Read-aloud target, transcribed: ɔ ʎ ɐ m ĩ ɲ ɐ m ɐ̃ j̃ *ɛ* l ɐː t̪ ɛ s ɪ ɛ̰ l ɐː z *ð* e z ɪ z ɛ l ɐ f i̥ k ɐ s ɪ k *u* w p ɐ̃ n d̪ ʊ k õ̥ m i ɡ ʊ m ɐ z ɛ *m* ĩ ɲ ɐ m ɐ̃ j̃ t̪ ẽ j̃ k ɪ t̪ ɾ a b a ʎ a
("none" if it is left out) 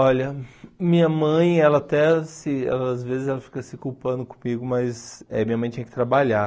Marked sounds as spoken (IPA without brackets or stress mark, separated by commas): ɛ, v, u, m